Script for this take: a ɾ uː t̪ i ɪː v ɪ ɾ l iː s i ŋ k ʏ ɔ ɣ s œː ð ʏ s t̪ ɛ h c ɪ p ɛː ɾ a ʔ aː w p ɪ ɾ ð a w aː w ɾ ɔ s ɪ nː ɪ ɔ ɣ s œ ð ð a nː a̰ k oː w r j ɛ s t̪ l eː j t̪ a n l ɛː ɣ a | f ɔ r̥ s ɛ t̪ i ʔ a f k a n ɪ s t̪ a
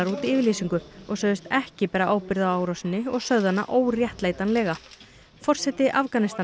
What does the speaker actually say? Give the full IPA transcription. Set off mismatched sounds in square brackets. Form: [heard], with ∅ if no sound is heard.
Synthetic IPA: a ɾ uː t̪ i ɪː v ɪ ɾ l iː s i ŋ k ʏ ɔ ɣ s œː ð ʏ s t̪ ɛ h c ɪ p ɛː ɾ a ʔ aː w p ɪ ɾ ð a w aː w ɾ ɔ s ɪ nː ɪ ɔ ɣ s œ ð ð a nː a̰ [ʔ] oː w r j ɛ [h] t̪ l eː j t̪ a n l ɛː ɣ a | f ɔ r̥ s ɛ t̪ [ɪ] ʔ a f k a n ɪ s t̪ a

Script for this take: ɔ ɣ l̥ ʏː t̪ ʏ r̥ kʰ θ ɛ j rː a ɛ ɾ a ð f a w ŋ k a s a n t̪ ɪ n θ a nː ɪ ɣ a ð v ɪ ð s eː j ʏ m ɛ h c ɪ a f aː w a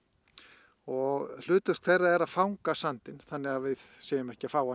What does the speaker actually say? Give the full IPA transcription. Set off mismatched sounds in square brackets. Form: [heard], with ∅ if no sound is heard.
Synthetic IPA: ɔ ɣ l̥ ʏː t̪ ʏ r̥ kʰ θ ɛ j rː a ɛ ɾ a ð f a w ŋ k a s a n t̪ ɪ n θ a nː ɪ ɣ a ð v ɪ ð s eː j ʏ m ɛ h c ɪ a f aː w a

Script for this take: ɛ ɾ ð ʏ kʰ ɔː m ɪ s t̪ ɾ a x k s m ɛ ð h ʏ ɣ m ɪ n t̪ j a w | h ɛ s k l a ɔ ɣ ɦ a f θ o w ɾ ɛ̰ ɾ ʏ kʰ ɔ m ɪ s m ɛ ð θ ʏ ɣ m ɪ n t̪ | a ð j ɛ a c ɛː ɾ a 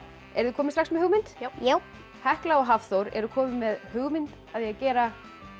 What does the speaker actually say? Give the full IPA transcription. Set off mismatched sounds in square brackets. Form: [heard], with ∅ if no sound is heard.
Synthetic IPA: ɛ ɾ ð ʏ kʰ ɔː m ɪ s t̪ ɾ a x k s m ɛ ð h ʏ ɣ m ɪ n t̪ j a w | h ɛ [h] k l a ɔ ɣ ɦ a f θ o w ɾ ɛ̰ ɾ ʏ kʰ [ɔː] m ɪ [∅] m ɛ ð [h] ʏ ɣ m ɪ n t̪ | a ð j ɛ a c ɛː ɾ a

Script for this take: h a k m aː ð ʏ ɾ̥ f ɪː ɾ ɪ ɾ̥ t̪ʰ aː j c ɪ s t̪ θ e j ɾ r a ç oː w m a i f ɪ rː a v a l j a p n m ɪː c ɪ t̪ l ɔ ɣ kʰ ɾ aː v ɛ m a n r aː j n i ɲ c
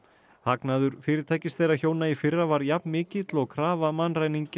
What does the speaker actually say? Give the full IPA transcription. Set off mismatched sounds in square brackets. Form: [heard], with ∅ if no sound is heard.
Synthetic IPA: h a k [n] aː ð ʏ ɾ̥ f ɪː ɾ ɪ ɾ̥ t̪ʰ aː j c ɪ s t̪ θ e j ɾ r a ç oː w [n] a i f ɪ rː a v a [ɾ] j a p n m ɪː c ɪ t̪ l ɔ ɣ kʰ ɾ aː v [a] m a n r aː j n i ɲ c

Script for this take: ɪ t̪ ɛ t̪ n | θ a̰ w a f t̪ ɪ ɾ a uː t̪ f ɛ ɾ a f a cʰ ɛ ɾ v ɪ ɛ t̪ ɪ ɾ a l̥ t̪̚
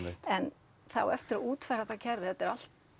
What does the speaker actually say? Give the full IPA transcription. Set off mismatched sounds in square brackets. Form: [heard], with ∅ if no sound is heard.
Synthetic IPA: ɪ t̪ ɛ [∅] n | θ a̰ w [ɛ] f t̪ ɪ ɾ a uː t̪ f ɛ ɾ a [θ] a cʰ ɛ ɾ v ɪ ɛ t̪ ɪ ɾ a l̥ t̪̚

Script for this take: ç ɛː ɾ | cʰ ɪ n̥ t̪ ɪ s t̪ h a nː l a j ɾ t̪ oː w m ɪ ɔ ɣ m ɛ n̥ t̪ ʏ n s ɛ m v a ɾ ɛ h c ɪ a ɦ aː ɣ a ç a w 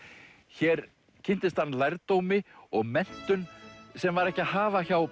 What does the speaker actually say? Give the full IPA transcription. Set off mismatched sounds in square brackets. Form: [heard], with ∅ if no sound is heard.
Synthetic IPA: ç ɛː ɾ | cʰ ɪ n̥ t̪ ɪ s t̪ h a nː l a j ɾ t̪ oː w m ɪ ɔ ɣ m ɛ n̥ t̪ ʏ n s ɛ m v a ɾ ɛ h c ɪ a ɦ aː [v] a ç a w

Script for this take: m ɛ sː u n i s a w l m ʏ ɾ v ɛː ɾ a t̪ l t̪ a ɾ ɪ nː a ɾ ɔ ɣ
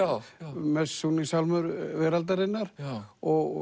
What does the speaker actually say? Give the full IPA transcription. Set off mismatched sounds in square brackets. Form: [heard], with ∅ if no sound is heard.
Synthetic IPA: m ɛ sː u n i s a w l m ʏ ɾ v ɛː ɾ a [∅] l t̪ a ɾ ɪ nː a ɾ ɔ ɣ

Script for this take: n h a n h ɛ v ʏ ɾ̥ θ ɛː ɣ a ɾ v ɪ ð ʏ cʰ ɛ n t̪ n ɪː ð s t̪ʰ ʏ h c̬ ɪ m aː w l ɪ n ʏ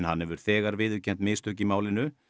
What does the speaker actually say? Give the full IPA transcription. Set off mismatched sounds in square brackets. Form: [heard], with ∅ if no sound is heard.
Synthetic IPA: n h a n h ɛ v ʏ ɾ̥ θ ɛː ɣ a ɾ v ɪ ð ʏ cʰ ɛ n t̪ [m] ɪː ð s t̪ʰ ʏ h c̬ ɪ m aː w l ɪ n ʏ

